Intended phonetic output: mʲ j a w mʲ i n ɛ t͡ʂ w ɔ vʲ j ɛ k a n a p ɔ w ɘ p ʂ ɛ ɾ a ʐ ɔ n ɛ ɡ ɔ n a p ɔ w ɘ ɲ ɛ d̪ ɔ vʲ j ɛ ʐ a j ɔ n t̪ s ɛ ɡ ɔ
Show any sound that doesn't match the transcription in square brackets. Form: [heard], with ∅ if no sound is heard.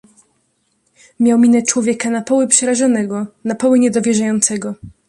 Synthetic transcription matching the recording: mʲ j a w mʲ i n ɛ t͡ʂ w ɔ vʲ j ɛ k a n a p ɔ w ɘ p ʂ ɛ ɾ a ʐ ɔ n ɛ ɡ ɔ n a p ɔ w ɘ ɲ ɛ d̪ ɔ vʲ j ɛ ʐ a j ɔ n t̪ s ɛ ɡ ɔ